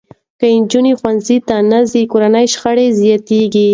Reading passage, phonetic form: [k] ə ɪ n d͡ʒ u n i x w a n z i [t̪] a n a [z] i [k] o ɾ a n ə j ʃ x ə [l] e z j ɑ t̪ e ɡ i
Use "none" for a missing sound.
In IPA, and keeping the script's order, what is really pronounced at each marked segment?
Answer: k, t̪, z, k, ɽ

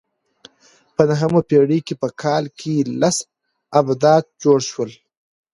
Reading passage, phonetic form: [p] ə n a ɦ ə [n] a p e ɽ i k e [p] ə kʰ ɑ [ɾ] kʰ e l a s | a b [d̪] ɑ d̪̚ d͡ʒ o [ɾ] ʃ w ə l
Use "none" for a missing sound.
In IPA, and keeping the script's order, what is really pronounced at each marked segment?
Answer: p, m, p, l, d̪, ɽ

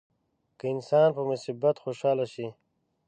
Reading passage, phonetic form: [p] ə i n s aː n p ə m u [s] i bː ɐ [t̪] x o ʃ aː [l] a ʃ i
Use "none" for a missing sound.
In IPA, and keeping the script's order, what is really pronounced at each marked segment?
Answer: k, s, t̪, l

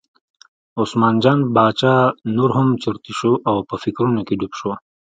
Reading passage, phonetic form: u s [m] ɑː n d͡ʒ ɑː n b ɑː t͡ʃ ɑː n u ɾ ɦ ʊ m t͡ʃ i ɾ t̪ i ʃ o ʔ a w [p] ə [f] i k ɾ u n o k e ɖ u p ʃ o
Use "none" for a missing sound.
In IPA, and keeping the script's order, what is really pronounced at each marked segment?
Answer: m, p, f

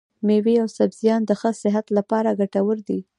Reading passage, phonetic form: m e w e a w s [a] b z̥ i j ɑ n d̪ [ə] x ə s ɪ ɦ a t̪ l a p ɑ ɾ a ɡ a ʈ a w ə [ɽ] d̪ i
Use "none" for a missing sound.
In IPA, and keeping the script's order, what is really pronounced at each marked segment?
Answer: a, ə, ɾ

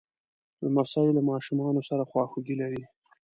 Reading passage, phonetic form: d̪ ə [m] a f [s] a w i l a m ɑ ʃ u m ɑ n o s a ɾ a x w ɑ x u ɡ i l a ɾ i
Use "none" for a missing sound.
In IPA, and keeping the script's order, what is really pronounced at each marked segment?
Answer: m, s

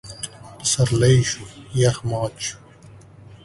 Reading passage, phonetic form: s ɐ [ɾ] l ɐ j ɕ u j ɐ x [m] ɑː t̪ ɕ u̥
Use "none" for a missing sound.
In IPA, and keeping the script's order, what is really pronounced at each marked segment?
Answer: ɾ, m

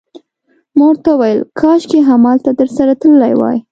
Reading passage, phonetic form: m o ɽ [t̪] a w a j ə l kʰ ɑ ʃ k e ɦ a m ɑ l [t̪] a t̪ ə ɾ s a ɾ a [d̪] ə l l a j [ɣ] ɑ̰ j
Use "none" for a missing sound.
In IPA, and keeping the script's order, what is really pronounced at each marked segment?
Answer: t̪, t̪, t̪, w

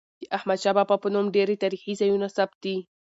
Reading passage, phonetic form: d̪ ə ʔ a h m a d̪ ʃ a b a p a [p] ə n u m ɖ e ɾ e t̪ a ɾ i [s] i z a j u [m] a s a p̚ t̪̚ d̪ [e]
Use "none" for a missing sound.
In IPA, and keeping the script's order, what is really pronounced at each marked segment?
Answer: p, x, n, i

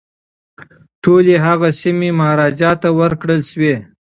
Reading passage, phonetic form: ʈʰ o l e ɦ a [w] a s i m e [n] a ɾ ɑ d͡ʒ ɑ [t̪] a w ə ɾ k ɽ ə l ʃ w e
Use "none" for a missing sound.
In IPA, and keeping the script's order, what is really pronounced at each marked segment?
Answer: ɣ, m, t̪

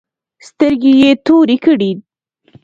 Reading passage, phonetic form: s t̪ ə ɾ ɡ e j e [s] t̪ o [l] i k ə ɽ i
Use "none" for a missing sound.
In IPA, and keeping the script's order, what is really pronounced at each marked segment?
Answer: none, ɾ

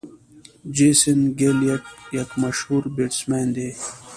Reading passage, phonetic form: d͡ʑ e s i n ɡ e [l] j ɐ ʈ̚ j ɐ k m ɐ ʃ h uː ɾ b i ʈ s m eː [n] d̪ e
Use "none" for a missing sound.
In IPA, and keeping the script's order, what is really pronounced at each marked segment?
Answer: l, n

